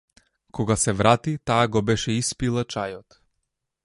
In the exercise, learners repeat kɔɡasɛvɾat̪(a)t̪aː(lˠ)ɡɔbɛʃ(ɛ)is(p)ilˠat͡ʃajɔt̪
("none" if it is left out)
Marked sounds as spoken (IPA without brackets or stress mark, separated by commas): i, none, ɛ, p